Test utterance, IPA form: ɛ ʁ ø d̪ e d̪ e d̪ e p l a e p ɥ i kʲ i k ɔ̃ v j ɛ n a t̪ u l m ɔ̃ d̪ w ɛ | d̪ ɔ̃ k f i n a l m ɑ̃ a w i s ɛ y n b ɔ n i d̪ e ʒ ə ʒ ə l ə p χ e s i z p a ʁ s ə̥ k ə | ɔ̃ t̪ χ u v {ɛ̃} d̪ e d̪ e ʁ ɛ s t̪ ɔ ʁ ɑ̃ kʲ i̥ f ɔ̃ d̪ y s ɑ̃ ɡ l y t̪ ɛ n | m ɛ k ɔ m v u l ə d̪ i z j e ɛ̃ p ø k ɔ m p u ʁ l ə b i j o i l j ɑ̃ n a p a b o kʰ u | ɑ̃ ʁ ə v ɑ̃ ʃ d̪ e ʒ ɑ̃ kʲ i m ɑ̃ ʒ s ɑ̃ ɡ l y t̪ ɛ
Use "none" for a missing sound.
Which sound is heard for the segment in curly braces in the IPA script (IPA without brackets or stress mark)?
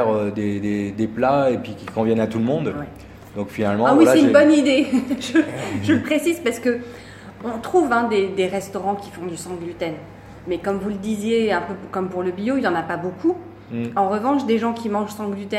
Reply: ɛ̃